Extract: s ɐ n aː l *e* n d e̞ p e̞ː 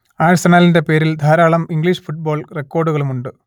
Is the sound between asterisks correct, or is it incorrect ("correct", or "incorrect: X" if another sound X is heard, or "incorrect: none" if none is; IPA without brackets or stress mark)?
incorrect: i